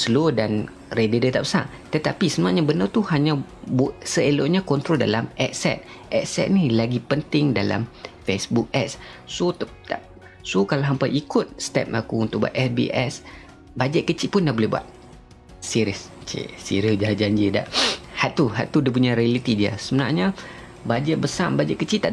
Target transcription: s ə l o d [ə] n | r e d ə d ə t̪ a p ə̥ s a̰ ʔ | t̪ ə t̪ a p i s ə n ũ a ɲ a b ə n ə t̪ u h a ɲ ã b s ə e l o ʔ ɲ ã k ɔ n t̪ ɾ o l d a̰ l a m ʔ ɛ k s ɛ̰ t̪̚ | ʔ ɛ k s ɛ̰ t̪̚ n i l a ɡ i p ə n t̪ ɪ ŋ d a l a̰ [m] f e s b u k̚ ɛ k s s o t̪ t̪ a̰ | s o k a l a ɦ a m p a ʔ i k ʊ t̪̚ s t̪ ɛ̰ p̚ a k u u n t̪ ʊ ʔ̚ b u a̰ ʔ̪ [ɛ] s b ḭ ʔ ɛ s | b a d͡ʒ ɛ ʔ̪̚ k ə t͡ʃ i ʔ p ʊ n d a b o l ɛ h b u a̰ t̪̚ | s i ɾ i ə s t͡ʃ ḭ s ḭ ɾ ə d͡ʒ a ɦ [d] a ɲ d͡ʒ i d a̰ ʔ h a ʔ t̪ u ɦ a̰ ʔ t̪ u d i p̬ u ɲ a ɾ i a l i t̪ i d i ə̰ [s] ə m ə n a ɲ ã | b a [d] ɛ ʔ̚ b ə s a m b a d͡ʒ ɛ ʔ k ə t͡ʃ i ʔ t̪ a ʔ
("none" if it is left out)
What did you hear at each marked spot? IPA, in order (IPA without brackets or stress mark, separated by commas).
a, m, ɛ, d͡ʒ, s, d͡ʒ